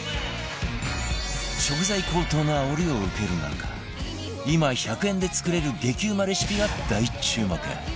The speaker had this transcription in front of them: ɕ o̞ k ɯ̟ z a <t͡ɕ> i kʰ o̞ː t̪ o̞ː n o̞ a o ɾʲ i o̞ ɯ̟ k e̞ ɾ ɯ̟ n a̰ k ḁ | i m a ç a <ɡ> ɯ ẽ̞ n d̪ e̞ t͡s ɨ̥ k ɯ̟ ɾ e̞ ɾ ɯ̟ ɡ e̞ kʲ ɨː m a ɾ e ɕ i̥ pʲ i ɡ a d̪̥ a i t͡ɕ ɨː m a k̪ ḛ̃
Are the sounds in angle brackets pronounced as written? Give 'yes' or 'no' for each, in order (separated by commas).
no, no